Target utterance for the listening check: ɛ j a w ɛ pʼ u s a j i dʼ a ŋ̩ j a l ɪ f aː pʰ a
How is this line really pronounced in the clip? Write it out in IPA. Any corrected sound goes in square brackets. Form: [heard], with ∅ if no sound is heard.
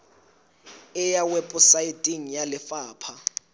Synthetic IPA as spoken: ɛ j a w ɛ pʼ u s a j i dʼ [i] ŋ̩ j a l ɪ f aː pʰ a